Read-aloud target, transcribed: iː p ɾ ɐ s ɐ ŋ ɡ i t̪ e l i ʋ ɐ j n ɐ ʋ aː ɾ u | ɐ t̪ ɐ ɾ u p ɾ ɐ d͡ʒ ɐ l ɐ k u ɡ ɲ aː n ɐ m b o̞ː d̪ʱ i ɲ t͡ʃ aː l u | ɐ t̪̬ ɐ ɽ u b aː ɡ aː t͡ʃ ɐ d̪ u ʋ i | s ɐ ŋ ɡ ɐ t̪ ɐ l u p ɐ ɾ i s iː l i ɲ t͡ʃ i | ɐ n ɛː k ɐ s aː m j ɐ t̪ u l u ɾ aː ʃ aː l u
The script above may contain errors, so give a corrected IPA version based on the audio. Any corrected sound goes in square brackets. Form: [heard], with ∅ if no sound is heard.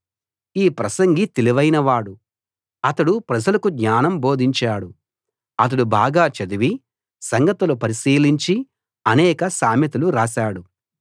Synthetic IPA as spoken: iː p ɾ ɐ s ɐ ŋ ɡ i t̪ e l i ʋ ɐ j n ɐ ʋ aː [ɽ] u | ɐ t̪ ɐ [ɽ] u p ɾ ɐ d͡ʒ ɐ l ɐ k u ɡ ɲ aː n ɐ m b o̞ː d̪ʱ i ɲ t͡ʃ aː [ɽ] u | ɐ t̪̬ ɐ ɽ u b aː ɡ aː t͡ʃ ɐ d̪ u ʋ i | s ɐ ŋ ɡ ɐ t̪ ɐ l u p ɐ ɾ i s iː l i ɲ t͡ʃ i | ɐ n ɛː k ɐ s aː m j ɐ t̪ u l u ɾ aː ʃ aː [ɽ] u